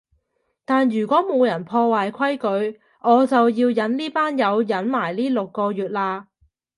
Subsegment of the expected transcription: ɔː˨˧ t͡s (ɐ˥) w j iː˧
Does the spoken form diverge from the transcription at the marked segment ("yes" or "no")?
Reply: yes